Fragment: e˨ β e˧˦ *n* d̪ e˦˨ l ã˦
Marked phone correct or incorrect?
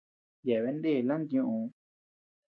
correct